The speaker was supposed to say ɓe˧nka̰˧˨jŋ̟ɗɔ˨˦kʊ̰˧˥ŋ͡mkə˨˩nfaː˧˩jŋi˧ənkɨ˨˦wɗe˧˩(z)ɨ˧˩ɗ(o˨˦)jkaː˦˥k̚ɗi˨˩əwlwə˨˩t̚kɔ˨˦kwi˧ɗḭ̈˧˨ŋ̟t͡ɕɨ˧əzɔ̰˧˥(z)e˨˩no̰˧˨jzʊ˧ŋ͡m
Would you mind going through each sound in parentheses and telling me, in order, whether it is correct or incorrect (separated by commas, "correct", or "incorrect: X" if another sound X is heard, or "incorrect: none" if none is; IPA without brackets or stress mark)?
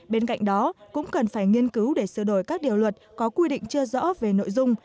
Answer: incorrect: s, incorrect: o˧˩, incorrect: v